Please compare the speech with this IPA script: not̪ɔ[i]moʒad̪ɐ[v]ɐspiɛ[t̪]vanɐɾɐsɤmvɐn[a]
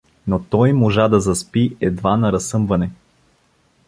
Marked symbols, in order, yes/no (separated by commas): no, no, no, no